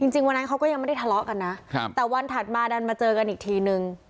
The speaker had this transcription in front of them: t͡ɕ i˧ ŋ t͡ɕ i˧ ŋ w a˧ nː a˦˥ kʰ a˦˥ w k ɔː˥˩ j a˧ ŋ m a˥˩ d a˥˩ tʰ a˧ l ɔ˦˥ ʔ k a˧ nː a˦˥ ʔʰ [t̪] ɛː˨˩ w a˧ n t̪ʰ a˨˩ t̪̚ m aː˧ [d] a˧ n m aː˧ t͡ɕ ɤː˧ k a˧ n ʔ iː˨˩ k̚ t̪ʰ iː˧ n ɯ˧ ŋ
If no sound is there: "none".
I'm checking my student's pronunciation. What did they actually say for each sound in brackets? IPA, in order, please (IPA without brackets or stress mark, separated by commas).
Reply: t̪, d